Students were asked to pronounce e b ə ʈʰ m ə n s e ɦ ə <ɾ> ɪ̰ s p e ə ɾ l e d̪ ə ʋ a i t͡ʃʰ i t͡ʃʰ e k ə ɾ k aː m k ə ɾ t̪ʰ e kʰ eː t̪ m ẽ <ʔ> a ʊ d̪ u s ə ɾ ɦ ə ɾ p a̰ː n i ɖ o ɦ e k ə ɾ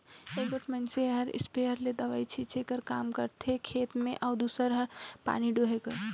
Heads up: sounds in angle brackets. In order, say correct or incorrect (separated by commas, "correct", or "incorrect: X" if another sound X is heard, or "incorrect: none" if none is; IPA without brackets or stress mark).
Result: correct, correct